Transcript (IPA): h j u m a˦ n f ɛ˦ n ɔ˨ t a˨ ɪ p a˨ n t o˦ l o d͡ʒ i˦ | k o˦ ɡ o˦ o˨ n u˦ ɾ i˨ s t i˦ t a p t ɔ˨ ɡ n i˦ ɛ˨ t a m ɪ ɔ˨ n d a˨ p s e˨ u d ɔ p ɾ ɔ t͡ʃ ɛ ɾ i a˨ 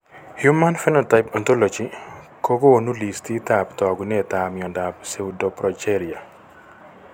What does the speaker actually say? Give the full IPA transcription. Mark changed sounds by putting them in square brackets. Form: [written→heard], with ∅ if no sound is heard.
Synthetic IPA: h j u m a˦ n f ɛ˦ n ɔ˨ t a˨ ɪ p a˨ n t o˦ l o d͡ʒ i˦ | k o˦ ɡ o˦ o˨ n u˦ [ɾ→l] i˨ s t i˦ t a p t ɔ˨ ɡ n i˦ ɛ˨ t a m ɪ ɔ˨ n d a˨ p s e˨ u d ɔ p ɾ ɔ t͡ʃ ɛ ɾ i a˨

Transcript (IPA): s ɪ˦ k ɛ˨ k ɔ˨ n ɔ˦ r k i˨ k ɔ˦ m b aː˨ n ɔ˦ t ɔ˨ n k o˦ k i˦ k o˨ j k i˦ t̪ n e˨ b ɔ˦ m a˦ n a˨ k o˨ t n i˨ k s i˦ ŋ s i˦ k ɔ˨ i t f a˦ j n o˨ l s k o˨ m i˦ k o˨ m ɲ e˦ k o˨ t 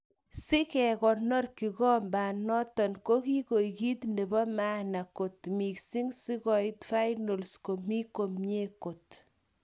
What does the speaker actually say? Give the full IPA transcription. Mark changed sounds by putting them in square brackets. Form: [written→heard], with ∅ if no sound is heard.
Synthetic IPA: s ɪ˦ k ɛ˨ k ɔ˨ n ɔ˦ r k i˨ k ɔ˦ m b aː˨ n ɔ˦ t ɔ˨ n k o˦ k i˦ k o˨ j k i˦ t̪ n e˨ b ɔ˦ m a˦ n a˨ k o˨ t [n→m] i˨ k s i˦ ŋ s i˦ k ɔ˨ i t f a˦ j n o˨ l s k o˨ m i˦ k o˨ m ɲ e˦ k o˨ t

